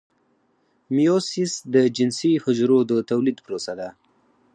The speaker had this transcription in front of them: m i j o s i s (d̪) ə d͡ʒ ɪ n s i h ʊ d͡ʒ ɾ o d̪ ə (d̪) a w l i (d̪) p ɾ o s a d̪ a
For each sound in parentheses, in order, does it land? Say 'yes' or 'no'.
yes, no, yes

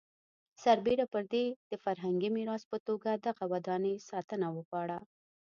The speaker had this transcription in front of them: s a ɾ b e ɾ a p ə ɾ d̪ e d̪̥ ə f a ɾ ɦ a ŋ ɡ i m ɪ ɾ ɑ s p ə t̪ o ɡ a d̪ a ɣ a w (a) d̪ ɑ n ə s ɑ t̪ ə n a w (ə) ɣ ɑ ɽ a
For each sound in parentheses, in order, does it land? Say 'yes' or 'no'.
yes, yes

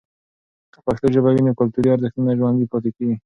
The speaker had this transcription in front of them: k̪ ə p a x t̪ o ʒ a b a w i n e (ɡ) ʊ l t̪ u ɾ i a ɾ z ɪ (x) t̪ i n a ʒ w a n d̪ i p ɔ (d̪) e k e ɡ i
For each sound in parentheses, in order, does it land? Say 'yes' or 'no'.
no, yes, no

